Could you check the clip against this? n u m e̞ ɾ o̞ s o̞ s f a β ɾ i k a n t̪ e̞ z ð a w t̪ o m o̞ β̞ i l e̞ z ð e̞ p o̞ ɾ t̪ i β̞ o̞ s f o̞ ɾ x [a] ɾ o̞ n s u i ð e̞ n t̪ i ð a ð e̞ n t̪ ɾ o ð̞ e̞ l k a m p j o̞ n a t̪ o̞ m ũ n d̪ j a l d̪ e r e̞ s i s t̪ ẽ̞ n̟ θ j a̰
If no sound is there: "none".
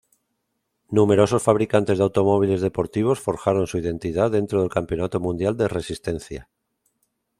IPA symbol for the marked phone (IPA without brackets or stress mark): a